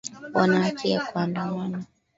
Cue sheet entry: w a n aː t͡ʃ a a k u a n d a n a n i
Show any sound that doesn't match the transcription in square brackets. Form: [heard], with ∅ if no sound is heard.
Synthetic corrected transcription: w a n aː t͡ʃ [i] a k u a n d a [m] a n [a]